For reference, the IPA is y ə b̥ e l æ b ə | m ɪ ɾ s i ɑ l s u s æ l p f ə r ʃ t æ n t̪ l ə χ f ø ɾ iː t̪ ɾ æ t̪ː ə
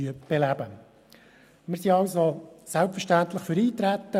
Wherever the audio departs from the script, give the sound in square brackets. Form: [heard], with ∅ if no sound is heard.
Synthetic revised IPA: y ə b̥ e l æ b ə | m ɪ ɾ s i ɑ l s [o] s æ l p f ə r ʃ t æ n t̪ l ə χ f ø ɾ iː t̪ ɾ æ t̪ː ə

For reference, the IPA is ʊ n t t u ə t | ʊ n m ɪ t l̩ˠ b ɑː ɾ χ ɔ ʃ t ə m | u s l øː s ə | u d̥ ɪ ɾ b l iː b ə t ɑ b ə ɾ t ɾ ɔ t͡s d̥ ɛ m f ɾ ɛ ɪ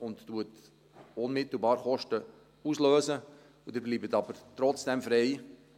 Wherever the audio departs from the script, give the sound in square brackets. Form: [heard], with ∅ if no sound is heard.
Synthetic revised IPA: ʊ n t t u ə t | ʊ n m ɪ t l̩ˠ b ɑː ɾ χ ɔ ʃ t ə [∅] | u s l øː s ə | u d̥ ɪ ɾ b l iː b ə t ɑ b ə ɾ t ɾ ɔ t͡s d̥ ɛ m f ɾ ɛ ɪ

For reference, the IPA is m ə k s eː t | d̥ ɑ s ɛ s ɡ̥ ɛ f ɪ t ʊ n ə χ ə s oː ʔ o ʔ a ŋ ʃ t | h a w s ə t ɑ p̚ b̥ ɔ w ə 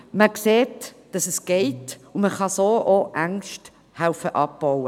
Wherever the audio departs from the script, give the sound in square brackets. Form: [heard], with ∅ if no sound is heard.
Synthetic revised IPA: m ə k s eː t | d̥ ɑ s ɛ s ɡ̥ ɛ [∅] ɪ t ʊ [m] ə χ [ɑ] s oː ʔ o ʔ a ŋ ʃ t | h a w [f] ə [ʔ] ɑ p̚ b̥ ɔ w ə

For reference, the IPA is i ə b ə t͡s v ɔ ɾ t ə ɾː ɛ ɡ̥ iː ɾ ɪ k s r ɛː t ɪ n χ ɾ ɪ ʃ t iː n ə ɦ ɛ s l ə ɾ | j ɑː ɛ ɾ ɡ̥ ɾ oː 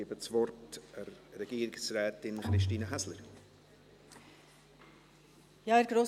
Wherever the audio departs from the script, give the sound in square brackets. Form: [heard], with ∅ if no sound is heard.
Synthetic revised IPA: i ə b ə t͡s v ɔ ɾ t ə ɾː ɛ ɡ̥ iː ɾ ɪ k s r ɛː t ɪ n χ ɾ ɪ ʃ t iː n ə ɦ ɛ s l ə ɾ | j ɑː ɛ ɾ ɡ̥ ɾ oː

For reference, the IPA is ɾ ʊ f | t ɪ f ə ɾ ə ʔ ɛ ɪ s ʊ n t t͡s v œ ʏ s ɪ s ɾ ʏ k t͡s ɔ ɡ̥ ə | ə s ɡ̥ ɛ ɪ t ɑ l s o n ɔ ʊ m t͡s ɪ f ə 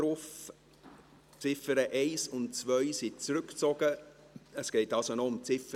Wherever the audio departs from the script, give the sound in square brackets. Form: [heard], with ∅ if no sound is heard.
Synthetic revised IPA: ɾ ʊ f | [t͡s] ɪ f ə ɾ ə ʔ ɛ ɪ s ʊ n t t͡s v œ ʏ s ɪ [t͡s] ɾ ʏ k t͡s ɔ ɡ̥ ə | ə s ɡ̥ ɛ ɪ t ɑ l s o n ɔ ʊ m t͡s ɪ f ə

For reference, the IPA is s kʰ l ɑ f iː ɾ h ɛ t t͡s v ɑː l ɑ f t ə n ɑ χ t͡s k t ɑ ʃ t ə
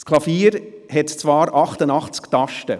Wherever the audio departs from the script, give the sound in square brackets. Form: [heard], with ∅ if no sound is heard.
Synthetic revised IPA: s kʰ l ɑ f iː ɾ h ɛ t t͡s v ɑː [ɾ] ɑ [χ] t ə n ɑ χ t͡s k t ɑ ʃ t ə

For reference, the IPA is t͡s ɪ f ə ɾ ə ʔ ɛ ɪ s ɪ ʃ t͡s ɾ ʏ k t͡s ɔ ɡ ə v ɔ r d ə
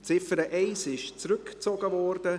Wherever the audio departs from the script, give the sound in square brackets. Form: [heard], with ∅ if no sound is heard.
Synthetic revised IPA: t͡s ɪ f ə ɾ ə ʔ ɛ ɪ s ɪ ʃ t͡s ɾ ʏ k t͡s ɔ ɡ ə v ɔ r d ə

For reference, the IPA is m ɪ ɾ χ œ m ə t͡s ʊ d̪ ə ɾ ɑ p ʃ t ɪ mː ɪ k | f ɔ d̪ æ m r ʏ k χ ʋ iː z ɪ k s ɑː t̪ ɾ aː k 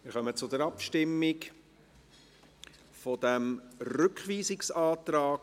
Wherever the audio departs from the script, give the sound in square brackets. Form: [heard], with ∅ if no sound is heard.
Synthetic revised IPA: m ɪ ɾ χ œ m ə t͡s ʊ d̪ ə ɾ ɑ p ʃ t ɪ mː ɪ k | f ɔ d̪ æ m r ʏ k χ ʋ iː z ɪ k s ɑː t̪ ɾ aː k

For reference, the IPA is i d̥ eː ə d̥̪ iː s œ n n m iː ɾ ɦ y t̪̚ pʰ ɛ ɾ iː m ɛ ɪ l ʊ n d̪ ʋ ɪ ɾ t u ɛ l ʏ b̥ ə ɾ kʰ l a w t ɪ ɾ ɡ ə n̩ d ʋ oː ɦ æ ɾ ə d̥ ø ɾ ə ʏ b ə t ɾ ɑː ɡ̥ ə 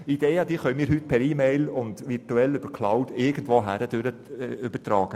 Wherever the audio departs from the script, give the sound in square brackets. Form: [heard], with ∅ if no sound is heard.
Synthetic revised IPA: i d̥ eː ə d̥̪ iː [χ] œ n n m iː ɾ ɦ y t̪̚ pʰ ɛ ɾ iː m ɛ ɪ l ʊ n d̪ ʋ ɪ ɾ t u ɛ l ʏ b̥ ə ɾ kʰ l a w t ɪ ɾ ɡ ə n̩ d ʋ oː ɦ æ ɾ ə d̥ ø ɾ ə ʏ b ə t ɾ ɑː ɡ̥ ə

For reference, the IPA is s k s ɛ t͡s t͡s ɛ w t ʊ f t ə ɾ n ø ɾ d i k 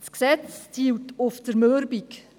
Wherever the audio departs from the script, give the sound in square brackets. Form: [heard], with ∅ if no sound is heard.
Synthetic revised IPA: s k s ɛ t͡s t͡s [i] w t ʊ f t ə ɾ [m] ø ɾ [b] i k

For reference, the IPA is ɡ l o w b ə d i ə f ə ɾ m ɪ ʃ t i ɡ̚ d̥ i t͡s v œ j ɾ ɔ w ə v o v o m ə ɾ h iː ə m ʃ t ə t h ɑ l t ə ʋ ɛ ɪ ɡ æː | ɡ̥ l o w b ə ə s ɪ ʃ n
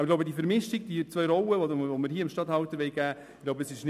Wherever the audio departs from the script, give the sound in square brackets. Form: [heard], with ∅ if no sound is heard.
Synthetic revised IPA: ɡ l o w b ə d i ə f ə ɾ m ɪ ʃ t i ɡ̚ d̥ i t͡s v œ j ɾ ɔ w ə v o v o m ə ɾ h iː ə m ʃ t [ɑ] t h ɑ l t ə ʋ ɛ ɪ ɡ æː | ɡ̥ l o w b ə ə s ɪ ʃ n

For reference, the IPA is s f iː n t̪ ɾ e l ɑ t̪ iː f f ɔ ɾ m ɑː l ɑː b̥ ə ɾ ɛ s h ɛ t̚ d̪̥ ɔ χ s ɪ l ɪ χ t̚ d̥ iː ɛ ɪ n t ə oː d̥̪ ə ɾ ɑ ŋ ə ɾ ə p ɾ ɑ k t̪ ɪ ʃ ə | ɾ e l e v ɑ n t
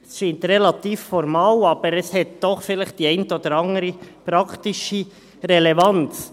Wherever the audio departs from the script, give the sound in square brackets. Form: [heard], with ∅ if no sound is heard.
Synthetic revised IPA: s [ʃ] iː n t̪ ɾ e l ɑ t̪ iː f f ɔ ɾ m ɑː l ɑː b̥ ə ɾ ɛ s h ɛ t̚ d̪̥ ɔ χ [f] ɪ l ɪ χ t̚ d̥ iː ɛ ɪ n t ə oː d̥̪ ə ɾ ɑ ŋ ə ɾ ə p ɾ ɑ k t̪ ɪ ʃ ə | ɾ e l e v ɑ n [t͡s]

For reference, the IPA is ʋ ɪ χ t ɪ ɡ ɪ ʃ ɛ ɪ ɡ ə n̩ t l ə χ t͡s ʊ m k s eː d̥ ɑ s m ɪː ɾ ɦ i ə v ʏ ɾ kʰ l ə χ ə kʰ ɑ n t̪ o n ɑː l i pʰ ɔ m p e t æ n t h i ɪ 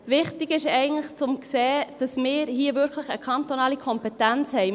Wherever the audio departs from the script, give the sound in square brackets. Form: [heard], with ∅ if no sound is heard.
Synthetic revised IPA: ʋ ɪ χ t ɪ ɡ ɪ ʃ ɛ ɪ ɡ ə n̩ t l ə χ t͡s ʊ m k s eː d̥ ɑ s m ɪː ɾ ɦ i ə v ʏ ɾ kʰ l ə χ ə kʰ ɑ n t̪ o n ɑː l i [kʰ] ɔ m p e t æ n [t͡s] h [ɛ] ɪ

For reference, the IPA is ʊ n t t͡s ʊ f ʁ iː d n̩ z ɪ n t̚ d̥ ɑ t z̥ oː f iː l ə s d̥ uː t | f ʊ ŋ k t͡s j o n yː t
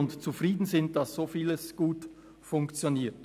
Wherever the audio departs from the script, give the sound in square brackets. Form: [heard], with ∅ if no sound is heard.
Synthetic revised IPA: ʊ n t t͡s [u] f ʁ iː d n̩ z ɪ n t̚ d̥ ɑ [s] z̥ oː f iː l ə s [ɡ̥] uː t | f ʊ ŋ k t͡s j o n [iː] t

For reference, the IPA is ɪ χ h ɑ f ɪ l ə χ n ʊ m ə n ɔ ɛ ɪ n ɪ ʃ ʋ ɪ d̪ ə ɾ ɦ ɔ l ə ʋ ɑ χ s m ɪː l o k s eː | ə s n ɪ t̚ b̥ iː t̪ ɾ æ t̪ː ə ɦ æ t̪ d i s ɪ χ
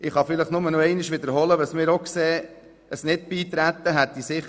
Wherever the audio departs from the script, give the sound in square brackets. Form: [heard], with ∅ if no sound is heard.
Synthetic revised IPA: ɪ χ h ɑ f ɪ l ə χ n ʊ m ə n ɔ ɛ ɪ n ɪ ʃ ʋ ɪ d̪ ə ɾ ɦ ɔ l ə ʋ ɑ [∅] s m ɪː [ɾ] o k s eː | ə s n ɪ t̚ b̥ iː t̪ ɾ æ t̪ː ə ɦ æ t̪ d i s ɪ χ

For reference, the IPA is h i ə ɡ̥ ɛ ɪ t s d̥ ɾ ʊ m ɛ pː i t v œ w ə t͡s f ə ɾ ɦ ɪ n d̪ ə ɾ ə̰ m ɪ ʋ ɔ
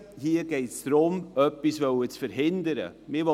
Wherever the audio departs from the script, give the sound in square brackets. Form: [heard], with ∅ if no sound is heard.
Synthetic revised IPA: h i ə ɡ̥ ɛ ɪ t s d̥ ɾ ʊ m [œ] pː i [s] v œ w ə t͡s f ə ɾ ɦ ɪ n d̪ ə ɾ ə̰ m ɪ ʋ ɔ

